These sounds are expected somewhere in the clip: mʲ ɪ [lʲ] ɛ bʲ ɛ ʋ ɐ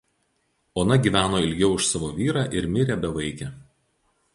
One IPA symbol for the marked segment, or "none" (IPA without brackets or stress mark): ɾʲ